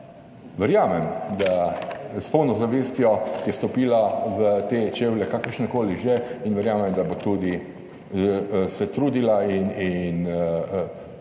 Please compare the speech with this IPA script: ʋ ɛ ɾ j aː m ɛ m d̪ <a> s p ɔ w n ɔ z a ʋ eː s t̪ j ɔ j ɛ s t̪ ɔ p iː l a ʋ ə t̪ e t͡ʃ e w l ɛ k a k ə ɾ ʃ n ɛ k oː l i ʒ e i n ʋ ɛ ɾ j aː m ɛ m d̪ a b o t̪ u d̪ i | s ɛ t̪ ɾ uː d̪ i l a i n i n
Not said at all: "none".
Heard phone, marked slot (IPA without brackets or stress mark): a